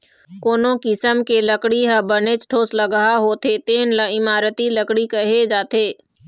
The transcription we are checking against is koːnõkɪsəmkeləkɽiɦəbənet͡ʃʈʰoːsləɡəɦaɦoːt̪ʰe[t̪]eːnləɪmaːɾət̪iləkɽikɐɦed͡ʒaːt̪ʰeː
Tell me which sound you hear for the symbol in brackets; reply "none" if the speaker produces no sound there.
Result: t̪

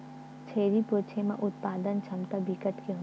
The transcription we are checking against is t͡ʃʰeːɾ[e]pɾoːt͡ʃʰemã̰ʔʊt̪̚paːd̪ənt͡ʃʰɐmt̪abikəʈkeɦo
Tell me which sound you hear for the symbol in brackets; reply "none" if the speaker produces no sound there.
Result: i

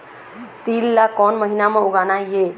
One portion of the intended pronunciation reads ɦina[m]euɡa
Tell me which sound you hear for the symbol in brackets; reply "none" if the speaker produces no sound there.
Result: m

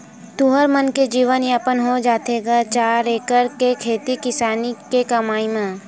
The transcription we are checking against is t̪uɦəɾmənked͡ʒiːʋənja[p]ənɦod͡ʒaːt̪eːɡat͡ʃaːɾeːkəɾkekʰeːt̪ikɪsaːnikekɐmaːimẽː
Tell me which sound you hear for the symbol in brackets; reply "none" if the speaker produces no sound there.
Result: p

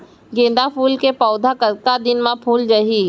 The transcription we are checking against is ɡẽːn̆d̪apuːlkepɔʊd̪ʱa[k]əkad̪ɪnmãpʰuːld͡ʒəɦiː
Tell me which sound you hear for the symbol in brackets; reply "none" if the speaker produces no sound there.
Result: k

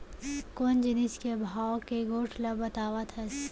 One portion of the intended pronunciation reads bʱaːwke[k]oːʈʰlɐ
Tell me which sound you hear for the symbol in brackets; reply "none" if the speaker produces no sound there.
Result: ɡ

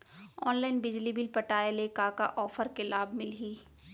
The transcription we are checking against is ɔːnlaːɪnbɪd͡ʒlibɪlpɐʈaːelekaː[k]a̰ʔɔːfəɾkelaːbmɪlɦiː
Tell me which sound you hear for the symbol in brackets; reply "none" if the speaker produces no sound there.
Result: k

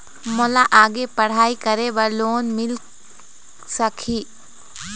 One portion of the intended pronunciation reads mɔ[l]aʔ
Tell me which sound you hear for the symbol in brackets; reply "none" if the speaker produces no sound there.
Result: l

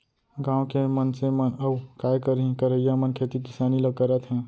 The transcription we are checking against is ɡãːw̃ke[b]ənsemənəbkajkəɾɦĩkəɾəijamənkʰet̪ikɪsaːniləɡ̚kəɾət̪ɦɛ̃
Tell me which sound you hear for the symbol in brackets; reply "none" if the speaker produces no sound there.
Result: m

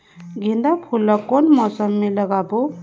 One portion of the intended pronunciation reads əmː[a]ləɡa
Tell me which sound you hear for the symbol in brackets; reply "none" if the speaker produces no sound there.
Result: e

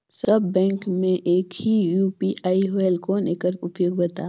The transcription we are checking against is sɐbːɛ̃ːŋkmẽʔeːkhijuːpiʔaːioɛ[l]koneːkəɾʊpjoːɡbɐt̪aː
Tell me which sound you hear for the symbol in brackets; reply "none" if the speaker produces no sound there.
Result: l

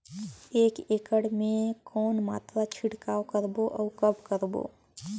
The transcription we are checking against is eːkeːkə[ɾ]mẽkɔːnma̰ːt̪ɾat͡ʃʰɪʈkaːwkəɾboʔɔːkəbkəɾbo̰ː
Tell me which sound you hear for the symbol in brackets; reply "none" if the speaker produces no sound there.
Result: ɽ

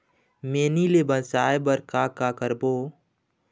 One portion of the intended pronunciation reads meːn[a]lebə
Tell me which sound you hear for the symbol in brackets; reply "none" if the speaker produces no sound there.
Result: i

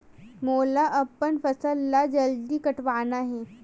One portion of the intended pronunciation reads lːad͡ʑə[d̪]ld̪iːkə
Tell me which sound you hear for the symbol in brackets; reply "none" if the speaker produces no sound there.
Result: none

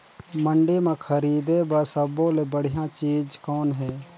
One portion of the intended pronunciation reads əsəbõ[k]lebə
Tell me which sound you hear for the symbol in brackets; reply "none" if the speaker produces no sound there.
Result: none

